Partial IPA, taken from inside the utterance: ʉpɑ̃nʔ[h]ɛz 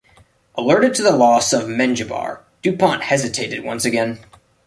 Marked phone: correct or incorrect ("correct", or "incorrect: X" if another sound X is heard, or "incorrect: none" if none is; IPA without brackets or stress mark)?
correct